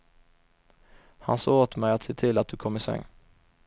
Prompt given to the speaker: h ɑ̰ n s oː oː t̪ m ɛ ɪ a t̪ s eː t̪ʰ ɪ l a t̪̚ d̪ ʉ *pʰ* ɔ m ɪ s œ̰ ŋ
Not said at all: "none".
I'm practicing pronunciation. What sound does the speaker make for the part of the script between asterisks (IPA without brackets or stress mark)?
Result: kʰ